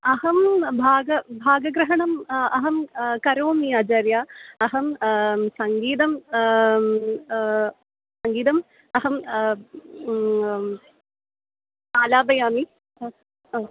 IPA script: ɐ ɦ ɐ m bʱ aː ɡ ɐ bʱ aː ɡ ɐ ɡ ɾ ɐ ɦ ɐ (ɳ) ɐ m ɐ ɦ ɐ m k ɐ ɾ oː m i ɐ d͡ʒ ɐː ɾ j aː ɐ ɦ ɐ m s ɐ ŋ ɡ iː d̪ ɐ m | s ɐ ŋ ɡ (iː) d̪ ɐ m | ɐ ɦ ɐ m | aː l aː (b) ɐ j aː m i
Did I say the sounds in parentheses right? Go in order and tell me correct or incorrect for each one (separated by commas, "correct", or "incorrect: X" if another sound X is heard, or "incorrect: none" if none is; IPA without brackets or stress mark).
correct, correct, correct